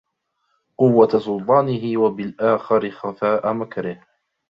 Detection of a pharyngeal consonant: absent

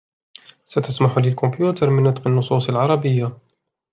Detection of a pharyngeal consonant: present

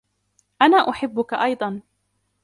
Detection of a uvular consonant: absent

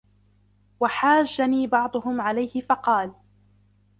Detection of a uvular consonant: present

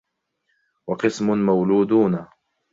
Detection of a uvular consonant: present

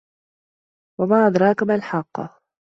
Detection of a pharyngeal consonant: present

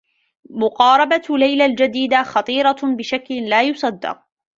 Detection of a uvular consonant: present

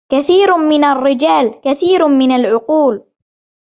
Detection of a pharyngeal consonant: present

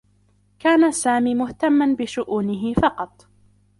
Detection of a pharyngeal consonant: absent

